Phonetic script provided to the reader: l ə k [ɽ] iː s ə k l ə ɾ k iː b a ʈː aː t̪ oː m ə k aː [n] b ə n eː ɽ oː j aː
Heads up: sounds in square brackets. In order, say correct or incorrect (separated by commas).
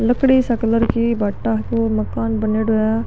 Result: correct, correct